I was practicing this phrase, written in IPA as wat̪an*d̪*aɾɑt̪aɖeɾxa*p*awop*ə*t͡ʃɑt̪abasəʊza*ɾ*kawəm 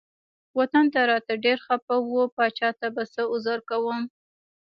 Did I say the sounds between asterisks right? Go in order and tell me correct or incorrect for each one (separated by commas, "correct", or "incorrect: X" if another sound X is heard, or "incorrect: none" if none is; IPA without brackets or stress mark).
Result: incorrect: t̪, correct, incorrect: ɑ, correct